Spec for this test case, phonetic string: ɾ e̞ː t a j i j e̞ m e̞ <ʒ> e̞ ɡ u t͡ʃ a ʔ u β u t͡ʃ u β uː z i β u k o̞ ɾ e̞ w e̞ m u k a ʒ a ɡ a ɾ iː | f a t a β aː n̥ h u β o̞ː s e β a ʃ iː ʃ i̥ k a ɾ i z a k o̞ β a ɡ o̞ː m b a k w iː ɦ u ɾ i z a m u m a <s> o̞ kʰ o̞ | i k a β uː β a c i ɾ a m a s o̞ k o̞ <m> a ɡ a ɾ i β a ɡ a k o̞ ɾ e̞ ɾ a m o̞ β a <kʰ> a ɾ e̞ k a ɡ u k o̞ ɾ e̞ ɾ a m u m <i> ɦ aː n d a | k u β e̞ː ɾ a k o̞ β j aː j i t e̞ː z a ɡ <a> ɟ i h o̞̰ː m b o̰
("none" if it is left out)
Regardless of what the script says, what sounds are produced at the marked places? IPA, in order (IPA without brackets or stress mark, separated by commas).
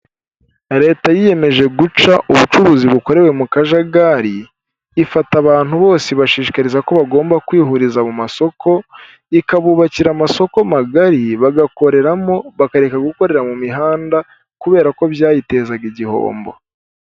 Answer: ʒ, s, m, k, i, i